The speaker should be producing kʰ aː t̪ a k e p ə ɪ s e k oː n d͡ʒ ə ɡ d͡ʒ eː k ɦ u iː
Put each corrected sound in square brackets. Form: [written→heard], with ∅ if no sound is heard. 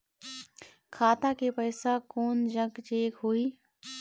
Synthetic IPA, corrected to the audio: kʰ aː t̪ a k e p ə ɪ s [e→a] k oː n d͡ʒ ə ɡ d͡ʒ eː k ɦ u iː